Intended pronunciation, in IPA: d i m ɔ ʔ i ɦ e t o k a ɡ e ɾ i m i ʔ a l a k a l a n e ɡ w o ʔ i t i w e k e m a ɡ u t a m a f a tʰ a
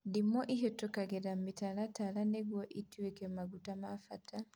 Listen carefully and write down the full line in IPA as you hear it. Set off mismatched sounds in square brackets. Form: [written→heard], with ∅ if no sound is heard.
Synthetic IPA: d i m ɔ ʔ i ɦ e t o k a ɡ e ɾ [i→a] m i [ʔ→t] a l a [k→t] a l a n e ɡ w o ʔ i t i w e k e m a ɡ u t a m a f a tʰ a